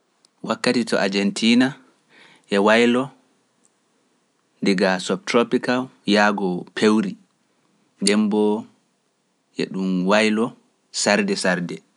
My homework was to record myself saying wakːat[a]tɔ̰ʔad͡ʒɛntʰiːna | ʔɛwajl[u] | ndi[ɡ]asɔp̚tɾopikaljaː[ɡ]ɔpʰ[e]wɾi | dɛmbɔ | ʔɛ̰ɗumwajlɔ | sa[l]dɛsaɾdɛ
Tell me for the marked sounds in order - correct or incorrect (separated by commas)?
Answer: incorrect, incorrect, correct, correct, correct, incorrect